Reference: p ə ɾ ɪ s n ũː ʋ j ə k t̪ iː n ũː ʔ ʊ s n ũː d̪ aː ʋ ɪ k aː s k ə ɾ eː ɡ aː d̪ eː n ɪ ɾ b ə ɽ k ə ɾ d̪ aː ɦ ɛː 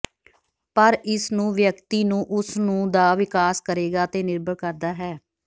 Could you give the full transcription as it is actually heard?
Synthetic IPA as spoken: p ə ɾ ɪ s n ũː ʋ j ə k t̪ iː n ũː ʔ ʊ s n ũː d̪ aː ʋ ɪ k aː s k ə ɾ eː ɡ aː t̪ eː n ɪ ɾ b ə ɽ k ə ɾ d̪ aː ɦ ɛː